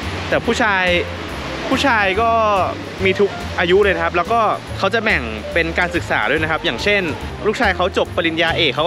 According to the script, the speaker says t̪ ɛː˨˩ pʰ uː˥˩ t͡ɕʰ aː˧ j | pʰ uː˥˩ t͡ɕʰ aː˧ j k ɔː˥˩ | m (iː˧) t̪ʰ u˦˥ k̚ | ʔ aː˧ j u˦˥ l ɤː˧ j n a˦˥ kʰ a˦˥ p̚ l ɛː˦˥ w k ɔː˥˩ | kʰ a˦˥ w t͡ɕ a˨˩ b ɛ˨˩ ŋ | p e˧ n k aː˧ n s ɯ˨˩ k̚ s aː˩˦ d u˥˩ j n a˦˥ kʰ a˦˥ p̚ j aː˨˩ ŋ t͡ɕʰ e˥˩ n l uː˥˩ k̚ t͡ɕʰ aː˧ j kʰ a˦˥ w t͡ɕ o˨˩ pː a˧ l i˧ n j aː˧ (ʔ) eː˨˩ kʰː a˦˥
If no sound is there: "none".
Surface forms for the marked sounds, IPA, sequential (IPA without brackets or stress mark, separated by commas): iː˧, ʔ